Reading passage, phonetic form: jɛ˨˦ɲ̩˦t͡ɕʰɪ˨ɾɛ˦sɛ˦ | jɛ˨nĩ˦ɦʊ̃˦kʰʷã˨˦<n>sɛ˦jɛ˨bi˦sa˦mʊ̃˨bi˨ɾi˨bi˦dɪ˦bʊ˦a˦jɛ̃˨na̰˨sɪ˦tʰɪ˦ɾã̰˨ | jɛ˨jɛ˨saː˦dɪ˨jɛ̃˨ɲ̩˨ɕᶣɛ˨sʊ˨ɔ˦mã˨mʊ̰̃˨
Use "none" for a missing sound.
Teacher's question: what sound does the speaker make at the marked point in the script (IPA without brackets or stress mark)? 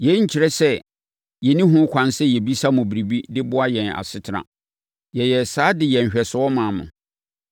n